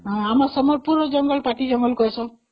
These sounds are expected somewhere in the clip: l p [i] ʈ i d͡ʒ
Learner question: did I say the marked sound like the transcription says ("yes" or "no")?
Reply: no